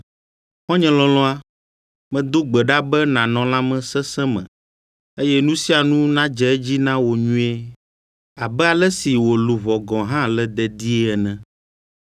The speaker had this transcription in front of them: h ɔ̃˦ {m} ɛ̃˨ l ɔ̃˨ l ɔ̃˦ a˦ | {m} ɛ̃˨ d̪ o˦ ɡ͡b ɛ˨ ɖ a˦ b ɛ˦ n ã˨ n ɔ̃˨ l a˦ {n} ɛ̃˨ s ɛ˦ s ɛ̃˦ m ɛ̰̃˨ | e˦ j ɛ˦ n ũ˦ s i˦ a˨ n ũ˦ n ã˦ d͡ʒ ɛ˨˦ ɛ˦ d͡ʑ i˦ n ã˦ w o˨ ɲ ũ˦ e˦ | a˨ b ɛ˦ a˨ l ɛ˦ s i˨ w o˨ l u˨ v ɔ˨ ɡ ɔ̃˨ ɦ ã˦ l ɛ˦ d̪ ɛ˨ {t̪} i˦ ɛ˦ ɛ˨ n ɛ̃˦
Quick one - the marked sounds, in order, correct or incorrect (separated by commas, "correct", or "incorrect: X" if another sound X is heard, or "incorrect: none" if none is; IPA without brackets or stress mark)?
incorrect: ɲ, correct, incorrect: m, incorrect: d̪